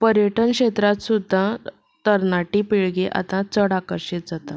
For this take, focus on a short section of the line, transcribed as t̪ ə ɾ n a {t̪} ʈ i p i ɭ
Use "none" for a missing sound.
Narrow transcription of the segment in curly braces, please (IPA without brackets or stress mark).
none